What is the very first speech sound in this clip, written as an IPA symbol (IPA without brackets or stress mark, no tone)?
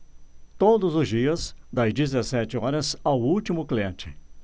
t̪